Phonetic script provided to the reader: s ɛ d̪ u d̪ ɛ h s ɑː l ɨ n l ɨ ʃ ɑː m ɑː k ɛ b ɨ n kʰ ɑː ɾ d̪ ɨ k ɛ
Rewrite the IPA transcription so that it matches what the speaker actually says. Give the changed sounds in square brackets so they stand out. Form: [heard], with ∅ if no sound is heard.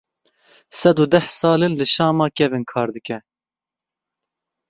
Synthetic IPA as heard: s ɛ d̪ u d̪ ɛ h s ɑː l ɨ n l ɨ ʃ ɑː m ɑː k ɛ [v] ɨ n kʰ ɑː ɾ d̪ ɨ k ɛ